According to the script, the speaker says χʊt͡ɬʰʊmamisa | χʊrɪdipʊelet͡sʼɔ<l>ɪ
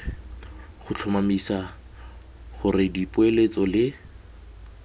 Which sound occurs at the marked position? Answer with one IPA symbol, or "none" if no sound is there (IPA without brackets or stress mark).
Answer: l